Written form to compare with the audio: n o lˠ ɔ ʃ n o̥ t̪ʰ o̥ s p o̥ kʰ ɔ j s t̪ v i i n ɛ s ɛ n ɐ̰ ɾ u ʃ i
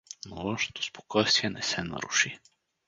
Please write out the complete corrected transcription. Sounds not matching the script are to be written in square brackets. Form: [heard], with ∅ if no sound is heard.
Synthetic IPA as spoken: n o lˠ ɔ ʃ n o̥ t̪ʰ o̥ s p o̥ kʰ ɔ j s t̪ v i [ɛ] n ɛ s ɛ n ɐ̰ ɾ u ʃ i